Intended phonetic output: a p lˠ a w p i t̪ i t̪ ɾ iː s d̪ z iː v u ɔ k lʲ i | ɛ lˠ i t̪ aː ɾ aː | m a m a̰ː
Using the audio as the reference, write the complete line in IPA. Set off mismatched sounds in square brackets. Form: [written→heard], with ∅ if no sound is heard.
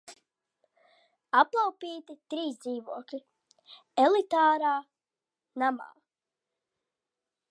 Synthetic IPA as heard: a p lˠ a w p [i→iː] t̪ i t̪ ɾ iː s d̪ z iː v u ɔ k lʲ i | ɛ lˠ i t̪ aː ɾ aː | [m→n] a m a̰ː